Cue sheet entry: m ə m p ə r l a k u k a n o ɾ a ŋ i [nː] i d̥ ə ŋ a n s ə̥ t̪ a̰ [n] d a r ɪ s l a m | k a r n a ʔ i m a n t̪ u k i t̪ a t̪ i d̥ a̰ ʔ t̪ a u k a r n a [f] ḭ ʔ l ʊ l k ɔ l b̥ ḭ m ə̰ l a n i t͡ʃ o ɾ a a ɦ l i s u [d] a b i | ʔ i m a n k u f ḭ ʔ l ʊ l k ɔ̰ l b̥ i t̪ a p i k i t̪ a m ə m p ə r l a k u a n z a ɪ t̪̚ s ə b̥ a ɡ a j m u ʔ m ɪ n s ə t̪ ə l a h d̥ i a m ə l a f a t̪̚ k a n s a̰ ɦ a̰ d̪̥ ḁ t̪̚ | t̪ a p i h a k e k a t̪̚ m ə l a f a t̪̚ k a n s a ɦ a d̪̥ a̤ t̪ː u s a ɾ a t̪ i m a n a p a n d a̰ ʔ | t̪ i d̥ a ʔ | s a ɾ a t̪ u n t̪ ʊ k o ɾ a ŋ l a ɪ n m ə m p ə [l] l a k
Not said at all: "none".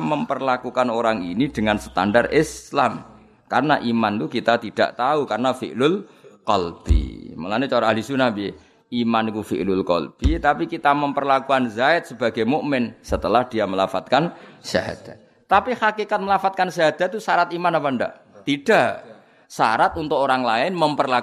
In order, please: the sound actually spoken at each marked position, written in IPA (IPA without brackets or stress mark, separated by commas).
n, n, f, n, r